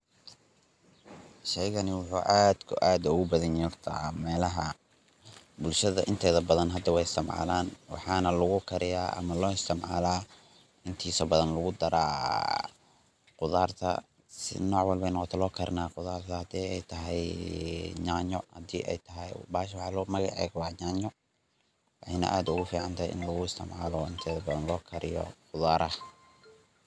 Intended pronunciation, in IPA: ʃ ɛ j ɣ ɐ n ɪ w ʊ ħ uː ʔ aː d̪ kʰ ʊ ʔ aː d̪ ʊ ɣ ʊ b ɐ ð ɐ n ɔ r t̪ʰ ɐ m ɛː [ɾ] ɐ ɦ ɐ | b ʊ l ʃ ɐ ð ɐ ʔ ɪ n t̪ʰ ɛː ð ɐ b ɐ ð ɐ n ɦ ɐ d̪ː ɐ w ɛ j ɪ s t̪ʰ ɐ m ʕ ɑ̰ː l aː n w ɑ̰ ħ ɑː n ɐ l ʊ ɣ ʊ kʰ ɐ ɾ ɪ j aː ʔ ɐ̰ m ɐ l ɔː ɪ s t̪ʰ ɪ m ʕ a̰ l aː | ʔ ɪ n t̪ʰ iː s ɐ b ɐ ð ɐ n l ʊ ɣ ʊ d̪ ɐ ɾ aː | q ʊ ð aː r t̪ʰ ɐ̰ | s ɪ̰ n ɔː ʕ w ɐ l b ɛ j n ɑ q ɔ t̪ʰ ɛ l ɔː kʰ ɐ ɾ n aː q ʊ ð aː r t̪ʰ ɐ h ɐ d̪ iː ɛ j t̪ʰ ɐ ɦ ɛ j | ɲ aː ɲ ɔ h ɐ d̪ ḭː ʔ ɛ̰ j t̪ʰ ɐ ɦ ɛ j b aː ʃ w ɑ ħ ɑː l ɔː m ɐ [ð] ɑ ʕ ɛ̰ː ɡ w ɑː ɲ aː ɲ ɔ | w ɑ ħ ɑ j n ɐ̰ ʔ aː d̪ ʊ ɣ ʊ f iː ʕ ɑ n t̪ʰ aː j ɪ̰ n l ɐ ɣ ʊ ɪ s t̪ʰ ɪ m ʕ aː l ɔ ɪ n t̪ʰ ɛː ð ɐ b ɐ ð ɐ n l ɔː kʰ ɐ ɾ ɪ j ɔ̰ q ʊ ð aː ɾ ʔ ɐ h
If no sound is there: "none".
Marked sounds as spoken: l, ɣ

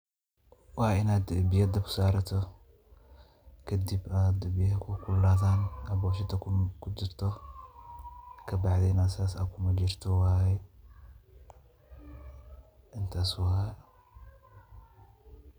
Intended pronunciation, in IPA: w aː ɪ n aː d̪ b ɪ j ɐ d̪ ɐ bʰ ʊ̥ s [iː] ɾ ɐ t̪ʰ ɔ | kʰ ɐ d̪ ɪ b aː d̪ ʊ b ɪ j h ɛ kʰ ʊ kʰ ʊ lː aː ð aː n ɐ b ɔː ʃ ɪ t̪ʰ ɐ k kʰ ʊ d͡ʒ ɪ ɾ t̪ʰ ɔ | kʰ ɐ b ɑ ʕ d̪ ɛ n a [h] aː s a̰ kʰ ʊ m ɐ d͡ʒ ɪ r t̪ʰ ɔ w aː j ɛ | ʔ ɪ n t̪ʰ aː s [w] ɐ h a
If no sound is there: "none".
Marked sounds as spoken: aː, s, w

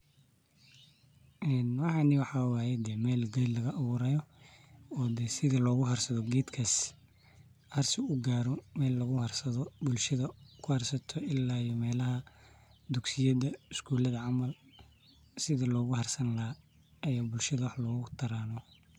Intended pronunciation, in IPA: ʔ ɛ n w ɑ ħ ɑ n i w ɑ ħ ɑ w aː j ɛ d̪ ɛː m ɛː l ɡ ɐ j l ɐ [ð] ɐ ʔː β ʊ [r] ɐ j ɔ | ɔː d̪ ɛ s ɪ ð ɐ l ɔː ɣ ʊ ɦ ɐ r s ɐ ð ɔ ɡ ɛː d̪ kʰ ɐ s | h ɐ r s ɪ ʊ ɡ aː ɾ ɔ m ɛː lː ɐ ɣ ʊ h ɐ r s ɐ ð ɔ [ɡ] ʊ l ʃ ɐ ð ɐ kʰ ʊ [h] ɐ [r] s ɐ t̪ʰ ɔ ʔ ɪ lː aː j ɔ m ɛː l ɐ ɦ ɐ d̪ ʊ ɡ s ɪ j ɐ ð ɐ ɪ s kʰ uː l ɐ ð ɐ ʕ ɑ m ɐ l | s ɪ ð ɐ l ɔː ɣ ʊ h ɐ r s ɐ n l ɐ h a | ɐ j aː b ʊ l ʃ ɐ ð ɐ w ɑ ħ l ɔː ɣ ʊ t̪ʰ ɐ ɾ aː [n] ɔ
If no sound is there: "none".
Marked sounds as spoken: ɣ, ɾ, b, h, r, n

